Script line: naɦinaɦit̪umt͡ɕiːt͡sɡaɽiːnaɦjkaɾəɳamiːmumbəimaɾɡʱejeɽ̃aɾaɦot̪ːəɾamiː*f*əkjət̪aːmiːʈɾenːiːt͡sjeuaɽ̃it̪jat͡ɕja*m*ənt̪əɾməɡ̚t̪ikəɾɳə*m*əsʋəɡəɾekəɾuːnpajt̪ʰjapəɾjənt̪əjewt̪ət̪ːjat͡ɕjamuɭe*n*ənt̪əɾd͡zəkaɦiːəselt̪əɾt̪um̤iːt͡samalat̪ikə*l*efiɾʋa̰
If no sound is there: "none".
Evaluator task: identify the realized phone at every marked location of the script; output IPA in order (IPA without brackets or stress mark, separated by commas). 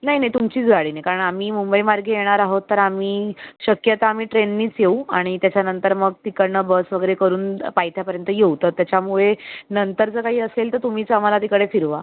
ɕ, n, b, n, ɽ